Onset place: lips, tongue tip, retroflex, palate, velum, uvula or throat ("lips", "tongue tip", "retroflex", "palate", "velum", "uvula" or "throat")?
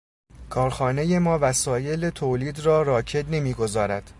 velum